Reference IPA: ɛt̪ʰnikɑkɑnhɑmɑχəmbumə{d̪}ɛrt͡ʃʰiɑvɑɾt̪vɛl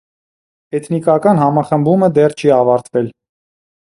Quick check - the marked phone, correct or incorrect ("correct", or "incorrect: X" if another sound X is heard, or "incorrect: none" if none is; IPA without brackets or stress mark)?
correct